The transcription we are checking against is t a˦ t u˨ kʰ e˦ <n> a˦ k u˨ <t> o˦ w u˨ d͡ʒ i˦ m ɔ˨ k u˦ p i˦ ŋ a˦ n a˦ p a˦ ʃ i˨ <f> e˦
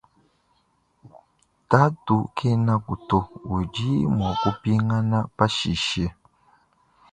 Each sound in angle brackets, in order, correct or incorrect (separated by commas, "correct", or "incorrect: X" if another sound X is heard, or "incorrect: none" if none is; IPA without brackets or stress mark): correct, correct, incorrect: ʃ